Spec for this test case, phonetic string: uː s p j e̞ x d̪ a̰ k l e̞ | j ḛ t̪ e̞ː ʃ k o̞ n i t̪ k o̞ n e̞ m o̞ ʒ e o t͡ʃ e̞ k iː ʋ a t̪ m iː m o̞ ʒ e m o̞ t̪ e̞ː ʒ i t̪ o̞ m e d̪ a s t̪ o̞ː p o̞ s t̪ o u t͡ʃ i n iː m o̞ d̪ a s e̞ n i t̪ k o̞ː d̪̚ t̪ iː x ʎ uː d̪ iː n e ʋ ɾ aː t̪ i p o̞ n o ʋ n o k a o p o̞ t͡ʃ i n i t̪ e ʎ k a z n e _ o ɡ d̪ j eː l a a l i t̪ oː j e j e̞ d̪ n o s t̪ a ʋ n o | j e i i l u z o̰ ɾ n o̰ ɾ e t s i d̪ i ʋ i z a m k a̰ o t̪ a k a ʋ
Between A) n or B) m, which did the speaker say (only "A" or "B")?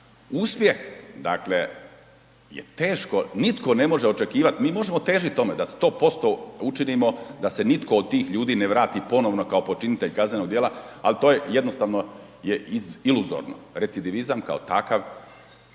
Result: A